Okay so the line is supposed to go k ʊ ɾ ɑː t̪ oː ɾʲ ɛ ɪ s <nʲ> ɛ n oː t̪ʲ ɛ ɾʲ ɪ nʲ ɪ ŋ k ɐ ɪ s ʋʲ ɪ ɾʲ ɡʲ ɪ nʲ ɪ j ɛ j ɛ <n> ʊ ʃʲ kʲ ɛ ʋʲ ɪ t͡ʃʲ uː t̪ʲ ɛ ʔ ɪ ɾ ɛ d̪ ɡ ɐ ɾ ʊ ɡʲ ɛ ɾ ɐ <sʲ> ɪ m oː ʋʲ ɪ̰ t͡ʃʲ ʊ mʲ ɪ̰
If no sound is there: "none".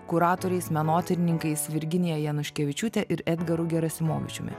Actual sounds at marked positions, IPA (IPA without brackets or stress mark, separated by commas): mʲ, n, sʲ